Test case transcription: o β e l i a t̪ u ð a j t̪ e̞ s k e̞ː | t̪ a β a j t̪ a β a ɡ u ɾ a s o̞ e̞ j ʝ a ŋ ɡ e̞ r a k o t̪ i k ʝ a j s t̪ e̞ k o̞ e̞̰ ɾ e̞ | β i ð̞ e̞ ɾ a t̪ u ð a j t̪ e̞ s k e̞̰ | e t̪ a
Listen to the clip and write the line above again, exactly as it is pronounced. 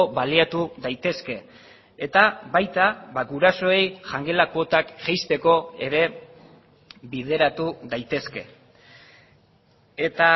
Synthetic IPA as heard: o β a l i a t̪ u ð a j t̪ e̞ s k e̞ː | t̪ a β a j t̪ a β a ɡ u ɾ a s o̞ e̞ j ʝ a ŋ ɡ e̞ l a k o t̪ a k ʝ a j s t̪ e̞ k o̞ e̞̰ ɾ e̞ | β i ð̞ e̞ ɾ a t̪ u ð a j t̪ e̞ s k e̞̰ | e t̪ a